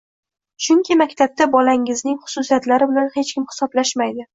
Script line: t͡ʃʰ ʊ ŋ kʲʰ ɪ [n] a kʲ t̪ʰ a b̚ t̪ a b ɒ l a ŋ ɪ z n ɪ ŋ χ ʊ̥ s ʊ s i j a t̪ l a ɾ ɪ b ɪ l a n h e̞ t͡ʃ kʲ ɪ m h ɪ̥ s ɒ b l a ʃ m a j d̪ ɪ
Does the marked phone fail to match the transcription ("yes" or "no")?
yes